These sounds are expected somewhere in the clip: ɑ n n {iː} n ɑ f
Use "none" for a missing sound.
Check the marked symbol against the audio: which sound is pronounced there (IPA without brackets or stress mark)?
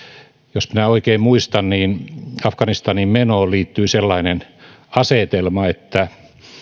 iː